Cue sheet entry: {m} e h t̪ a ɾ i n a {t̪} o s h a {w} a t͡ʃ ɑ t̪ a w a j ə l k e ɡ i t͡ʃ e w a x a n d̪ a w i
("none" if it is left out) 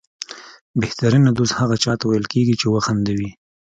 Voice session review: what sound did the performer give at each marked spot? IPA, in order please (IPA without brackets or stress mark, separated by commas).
b, d̪, ɣ